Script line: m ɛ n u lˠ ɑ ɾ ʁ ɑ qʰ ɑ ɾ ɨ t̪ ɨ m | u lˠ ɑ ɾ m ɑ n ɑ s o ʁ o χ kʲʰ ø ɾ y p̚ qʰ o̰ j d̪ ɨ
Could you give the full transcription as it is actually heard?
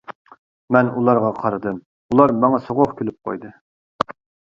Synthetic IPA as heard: m ɛ n u lˠ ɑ ɾ ʁ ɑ qʰ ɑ ɾ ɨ d̪ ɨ m | u lˠ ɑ ɾ m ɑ ŋ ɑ s o ʁ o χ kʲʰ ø l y p̚ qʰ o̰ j d̪ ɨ